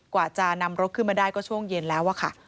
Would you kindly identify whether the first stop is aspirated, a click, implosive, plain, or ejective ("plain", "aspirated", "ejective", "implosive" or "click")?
plain